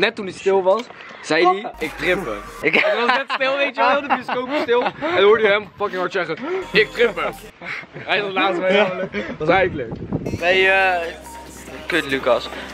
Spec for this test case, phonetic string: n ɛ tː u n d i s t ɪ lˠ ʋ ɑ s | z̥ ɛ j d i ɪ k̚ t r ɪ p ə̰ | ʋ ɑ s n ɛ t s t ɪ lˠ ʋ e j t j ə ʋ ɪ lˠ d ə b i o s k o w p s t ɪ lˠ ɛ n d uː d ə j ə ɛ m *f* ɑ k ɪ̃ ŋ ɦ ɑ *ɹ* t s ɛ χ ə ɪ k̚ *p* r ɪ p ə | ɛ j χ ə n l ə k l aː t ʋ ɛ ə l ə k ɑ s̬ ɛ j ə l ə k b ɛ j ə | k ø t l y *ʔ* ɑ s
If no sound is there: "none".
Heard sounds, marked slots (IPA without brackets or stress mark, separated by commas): f, ɹ, t, k